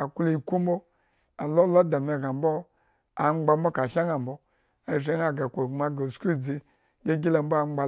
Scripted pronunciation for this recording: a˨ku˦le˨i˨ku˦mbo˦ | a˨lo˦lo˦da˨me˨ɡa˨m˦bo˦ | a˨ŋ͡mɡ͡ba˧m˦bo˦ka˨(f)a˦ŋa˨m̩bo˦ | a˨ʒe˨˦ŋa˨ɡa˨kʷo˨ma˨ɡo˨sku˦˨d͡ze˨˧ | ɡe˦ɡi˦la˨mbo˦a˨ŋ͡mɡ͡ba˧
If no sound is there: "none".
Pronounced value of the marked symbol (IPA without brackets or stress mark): ʃ